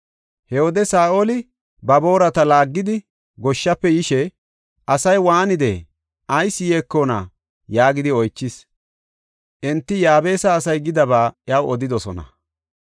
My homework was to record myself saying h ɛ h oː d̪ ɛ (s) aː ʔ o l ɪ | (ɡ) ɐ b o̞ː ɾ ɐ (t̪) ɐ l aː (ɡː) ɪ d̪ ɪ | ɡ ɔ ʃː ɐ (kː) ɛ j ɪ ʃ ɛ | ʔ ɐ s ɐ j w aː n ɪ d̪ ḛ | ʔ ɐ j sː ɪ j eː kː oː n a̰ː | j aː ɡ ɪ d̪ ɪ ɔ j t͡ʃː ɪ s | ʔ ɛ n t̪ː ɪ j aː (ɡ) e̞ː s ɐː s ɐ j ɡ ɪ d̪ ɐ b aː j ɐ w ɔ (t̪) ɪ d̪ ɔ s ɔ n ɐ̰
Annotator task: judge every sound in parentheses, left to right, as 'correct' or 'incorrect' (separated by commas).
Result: correct, incorrect, correct, correct, incorrect, incorrect, incorrect